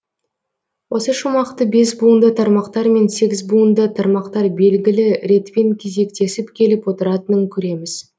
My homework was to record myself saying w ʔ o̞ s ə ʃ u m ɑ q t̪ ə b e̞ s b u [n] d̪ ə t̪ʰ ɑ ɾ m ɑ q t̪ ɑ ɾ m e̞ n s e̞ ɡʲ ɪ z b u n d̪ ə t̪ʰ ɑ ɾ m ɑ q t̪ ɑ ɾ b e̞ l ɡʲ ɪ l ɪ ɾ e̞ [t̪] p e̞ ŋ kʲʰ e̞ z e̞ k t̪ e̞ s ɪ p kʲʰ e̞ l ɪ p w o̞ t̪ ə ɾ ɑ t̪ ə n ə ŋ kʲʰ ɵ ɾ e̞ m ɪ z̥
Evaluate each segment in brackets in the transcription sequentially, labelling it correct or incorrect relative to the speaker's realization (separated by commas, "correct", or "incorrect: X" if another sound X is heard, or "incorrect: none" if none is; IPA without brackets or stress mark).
correct, correct